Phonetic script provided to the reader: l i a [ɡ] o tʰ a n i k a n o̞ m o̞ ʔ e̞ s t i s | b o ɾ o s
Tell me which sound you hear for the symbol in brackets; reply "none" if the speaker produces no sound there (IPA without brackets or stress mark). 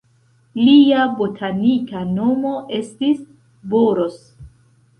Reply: b